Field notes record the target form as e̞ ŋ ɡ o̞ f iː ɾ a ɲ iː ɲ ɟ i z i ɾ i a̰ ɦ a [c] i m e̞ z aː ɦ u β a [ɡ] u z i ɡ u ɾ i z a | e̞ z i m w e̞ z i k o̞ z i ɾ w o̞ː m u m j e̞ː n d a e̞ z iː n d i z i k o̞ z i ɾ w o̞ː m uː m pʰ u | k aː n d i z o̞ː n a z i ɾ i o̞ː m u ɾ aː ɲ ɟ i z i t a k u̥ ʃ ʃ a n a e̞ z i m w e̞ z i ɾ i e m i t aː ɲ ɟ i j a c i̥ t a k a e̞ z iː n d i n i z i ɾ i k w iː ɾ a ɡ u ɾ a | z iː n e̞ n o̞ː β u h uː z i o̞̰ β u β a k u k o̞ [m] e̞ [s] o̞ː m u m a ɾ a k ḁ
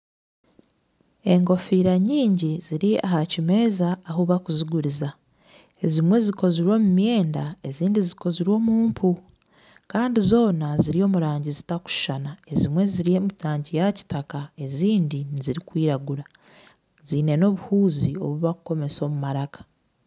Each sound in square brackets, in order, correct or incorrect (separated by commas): correct, incorrect, correct, correct